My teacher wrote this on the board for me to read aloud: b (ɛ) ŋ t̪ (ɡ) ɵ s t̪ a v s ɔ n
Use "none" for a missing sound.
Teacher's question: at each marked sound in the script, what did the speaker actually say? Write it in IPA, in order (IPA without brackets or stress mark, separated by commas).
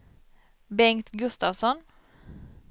ɛ, ɡ